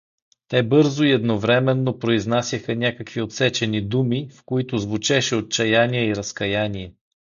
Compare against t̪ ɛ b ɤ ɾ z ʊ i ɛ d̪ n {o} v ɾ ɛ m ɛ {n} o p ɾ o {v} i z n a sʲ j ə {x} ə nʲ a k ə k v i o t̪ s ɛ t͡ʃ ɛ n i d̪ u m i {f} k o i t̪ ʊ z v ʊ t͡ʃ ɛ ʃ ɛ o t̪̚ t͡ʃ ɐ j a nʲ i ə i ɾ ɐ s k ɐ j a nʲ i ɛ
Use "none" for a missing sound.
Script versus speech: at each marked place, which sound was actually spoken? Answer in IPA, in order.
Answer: o, nː, none, x, f

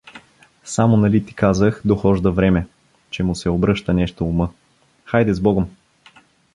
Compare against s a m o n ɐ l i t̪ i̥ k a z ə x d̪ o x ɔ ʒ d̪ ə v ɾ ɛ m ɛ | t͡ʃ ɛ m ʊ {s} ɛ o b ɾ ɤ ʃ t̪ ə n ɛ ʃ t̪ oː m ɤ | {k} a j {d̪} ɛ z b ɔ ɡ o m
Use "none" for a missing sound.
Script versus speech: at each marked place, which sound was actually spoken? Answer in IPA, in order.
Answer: s, x, d̪

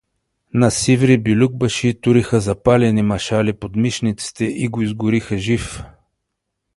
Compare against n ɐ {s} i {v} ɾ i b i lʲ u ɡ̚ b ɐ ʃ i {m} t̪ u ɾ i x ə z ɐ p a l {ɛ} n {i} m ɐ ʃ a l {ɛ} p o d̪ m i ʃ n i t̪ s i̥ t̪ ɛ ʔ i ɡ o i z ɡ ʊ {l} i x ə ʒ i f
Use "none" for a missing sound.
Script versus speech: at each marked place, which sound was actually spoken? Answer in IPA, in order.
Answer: s, v, none, ɛ, i, i, ɾ

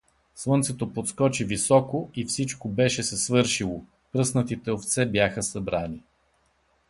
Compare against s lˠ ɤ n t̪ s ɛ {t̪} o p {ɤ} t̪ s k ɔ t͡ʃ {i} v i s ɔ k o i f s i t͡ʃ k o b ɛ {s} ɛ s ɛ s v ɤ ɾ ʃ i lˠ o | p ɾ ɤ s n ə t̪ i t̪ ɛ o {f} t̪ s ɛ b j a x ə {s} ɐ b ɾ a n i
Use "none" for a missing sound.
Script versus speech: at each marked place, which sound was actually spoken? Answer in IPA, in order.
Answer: t̪, o, i, ʃ, f, s

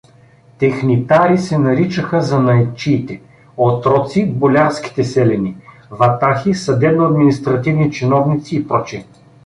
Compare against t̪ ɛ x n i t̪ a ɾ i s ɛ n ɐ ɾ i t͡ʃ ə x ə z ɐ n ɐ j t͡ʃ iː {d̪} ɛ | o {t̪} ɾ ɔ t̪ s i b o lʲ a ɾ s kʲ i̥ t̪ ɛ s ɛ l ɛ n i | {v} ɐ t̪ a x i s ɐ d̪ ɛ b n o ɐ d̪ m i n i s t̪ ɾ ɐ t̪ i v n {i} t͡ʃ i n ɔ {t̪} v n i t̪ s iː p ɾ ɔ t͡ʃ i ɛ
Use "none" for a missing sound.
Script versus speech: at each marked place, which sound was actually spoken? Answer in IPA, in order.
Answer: t̪, t̪, v, i, none

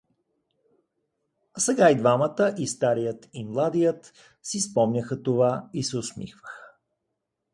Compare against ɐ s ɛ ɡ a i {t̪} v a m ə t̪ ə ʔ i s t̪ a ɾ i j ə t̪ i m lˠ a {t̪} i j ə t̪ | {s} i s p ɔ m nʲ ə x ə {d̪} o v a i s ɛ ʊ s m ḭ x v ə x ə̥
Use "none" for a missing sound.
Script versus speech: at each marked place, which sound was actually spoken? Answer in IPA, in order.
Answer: d̪, d̪, s, t̪

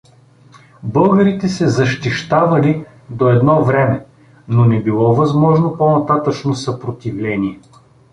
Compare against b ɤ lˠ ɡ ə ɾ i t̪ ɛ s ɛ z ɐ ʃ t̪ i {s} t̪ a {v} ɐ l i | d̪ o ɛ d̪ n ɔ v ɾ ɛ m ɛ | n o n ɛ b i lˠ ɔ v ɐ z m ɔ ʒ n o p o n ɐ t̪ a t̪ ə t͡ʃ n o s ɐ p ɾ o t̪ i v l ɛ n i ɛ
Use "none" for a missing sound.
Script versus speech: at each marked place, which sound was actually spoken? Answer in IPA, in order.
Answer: ʃ, v

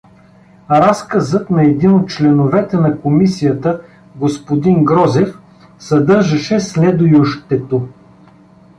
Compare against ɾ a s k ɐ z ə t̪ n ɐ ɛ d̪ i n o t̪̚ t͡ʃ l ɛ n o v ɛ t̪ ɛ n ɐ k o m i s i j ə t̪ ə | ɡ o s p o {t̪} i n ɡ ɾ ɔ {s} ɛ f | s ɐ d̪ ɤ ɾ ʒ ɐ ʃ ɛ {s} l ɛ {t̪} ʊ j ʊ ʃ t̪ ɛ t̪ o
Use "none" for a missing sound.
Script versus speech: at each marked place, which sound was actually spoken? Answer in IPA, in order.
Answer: d̪, z, s, d̪

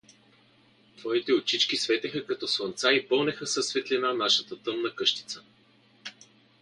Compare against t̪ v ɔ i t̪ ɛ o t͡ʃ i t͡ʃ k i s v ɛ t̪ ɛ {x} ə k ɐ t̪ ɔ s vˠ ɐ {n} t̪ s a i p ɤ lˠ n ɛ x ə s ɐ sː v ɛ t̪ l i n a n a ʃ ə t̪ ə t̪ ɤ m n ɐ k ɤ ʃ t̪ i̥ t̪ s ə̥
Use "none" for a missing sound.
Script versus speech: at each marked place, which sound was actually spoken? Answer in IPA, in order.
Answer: x, n

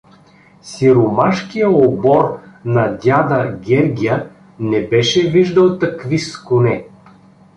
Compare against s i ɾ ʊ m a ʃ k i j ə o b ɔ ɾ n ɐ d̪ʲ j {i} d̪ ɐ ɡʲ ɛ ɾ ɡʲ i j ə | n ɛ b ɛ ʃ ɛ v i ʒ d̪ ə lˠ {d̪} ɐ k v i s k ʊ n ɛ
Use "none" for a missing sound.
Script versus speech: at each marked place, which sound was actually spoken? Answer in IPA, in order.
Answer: a, t̪

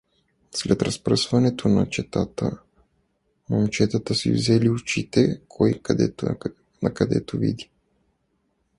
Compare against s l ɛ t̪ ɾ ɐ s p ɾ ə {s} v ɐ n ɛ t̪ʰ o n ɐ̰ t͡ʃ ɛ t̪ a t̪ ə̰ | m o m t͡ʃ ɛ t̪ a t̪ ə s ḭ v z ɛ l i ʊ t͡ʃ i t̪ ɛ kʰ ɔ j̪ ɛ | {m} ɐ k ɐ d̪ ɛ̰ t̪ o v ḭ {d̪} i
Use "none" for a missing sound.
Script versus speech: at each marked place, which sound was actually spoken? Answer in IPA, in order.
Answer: s, n, d̪

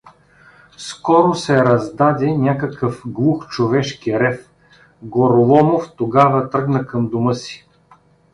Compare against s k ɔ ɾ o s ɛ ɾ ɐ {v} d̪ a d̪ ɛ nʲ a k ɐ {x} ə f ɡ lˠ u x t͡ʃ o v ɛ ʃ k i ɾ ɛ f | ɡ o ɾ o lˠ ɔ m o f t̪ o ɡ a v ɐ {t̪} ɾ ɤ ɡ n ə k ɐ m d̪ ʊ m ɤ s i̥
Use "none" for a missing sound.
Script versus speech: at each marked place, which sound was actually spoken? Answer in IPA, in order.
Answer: z, k, t̪

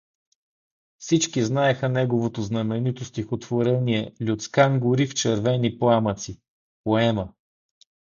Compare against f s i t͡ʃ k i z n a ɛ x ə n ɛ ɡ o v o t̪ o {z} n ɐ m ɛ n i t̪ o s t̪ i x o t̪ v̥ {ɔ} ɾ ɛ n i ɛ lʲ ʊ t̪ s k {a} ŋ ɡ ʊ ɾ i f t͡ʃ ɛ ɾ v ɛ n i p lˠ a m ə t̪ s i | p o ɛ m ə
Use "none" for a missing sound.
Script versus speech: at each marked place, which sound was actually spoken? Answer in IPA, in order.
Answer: z, o, a

